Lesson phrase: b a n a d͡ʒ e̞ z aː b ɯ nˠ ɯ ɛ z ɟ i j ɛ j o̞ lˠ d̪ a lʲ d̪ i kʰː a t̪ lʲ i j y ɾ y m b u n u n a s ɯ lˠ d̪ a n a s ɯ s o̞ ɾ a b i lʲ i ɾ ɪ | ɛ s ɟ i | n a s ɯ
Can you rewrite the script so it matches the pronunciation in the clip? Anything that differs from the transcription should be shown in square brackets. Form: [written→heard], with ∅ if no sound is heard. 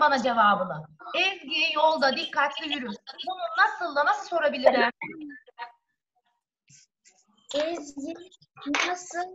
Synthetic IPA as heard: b a n a d͡ʒ e̞ [z→v] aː b ɯ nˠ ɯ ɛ z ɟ i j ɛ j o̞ lˠ d̪ a [lʲ→∅] d̪ i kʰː a t̪ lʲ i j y ɾ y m b u n u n a s ɯ lˠ d̪ a n a s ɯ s o̞ ɾ a b i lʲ i ɾ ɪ | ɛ [s→z] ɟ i | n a s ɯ